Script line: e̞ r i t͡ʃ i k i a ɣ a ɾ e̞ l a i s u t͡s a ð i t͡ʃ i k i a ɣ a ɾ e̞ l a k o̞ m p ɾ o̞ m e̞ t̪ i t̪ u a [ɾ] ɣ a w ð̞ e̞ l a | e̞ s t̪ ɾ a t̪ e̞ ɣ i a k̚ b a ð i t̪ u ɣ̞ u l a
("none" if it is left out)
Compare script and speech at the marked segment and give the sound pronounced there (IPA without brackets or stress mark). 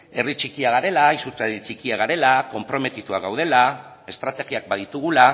none